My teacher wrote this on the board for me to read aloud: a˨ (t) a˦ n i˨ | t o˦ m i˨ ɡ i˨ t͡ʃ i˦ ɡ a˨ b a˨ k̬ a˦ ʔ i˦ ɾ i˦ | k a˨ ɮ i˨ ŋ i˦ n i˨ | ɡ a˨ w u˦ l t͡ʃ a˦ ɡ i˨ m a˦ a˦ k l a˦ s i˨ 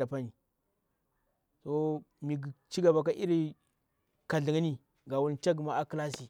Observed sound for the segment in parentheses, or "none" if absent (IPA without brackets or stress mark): p